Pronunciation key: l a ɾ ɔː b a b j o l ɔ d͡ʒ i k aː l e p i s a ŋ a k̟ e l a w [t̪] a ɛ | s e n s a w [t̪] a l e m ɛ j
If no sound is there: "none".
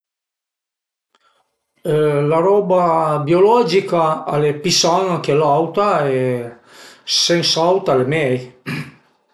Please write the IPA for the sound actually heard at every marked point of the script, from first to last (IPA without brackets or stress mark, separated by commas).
t̪, t̪